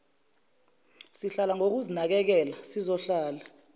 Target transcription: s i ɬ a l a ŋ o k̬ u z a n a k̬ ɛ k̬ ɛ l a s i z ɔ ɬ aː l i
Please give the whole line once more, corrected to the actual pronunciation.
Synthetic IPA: s i ɬ a l a ŋ o k̬ u z i n a k̬ ɛ k̬ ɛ l a s i z ɔ ɬ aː l a